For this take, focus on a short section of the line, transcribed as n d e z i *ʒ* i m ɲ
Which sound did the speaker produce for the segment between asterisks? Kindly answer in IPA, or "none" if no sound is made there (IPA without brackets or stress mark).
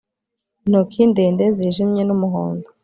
ʒ